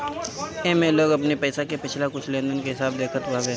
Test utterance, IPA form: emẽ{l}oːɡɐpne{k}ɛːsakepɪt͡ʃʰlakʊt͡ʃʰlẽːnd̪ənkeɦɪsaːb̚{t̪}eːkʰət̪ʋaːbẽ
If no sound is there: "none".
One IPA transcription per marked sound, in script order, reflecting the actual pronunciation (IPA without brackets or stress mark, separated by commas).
l, p, d̪